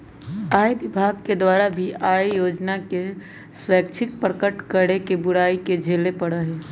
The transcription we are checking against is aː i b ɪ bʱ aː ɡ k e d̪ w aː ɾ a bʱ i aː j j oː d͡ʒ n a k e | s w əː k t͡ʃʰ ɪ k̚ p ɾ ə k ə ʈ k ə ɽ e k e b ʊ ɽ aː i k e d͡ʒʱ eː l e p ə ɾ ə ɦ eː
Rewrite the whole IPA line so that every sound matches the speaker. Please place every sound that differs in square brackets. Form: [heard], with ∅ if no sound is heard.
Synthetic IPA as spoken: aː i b ɪ bʱ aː ɡ k e d̪ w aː ɾ a bʱ i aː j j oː d͡ʒ n a k e | s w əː k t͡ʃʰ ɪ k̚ p ɾ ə k ə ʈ k ə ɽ e k e b ʊ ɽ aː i k e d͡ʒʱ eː l e p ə [ɽ] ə ɦ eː

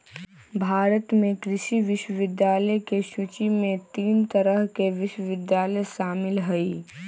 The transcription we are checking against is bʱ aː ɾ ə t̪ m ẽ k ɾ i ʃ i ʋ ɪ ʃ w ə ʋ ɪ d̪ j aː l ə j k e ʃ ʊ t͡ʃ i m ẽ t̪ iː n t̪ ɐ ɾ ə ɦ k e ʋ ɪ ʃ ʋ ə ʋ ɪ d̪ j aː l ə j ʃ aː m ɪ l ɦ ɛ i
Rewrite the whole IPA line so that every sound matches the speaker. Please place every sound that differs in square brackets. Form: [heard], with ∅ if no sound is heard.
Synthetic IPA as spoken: bʱ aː ɾ ə t̪ m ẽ k ɾ [ɪ] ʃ i ʋ ɪ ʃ w ə ʋ ɪ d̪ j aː l ə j k e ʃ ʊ t͡ʃ i m ẽ t̪ iː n t̪ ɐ ɾ ə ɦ k e ʋ ɪ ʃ [w] ə ʋ ɪ d̪ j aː l ə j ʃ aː m ɪ l ɦ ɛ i

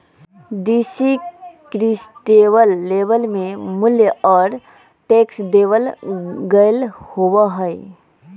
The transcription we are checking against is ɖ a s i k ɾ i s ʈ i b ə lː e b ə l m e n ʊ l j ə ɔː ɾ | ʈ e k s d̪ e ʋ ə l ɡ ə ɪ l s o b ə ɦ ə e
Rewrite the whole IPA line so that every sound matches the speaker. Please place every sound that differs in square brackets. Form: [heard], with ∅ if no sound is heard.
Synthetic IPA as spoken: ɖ [i] s i k ɾ i s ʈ [e] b ə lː e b ə l m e [m] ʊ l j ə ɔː ɾ | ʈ e k s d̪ e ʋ ə l ɡ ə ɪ l [h] o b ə ɦ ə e

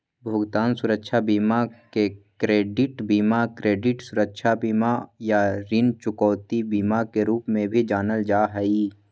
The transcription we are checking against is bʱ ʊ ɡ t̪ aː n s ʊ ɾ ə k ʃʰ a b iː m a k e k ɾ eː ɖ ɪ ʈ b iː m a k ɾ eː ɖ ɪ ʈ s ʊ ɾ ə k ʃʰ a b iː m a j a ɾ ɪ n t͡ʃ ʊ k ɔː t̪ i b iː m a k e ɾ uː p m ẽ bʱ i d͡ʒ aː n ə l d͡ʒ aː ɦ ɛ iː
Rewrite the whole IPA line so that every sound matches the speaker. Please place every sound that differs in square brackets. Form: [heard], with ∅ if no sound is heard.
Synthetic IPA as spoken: bʱ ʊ ɡ t̪ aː n s ʊ ɾ ə k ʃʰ a b iː m a k e k ɾ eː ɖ ɪ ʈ b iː m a k ɾ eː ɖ ɪ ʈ s ʊ ɾ ə k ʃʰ a b iː m a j a ɾ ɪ n t͡ʃ ʊ k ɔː t̪ i b iː m a k e ɾ uː p m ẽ bʱ i d͡ʒ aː n ə l d͡ʒ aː ɦ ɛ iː

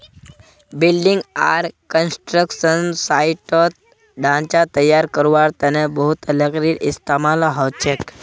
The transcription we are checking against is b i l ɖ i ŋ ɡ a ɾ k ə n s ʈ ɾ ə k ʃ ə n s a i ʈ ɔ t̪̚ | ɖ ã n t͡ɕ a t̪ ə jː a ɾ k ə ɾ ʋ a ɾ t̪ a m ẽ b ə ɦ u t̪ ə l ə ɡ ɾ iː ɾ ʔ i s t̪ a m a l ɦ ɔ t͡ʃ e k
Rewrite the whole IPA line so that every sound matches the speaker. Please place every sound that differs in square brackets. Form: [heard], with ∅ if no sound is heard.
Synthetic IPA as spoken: b i l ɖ i ŋ ɡ a ɾ k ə n s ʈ ɾ ə k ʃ ə n s a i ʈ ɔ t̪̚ | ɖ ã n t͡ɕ a t̪ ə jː a ɾ k ə ɾ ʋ a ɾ t̪ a [n] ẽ b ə ɦ u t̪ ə l ə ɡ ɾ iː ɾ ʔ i s t̪ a m a l ɦ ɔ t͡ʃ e k

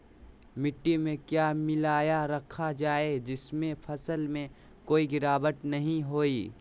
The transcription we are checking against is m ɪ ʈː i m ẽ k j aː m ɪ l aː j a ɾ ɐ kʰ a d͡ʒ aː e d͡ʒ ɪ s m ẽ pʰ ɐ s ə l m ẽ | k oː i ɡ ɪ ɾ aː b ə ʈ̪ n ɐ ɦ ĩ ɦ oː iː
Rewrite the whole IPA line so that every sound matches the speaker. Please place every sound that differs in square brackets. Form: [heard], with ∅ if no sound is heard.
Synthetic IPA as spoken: m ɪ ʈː i m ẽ k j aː m ɪ l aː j a ɾ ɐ kʰ a d͡ʒ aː e d͡ʒ ɪ s m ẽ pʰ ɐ s ə l m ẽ | k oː i ɡ ɪ ɾ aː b ə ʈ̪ n ɐ ɦ ĩ ɦ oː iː

